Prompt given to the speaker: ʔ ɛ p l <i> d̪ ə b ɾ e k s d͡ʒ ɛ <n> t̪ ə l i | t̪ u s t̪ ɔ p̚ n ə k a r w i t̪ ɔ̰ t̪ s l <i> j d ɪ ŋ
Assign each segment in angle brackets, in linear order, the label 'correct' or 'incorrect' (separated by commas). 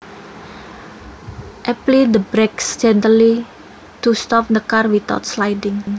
correct, correct, incorrect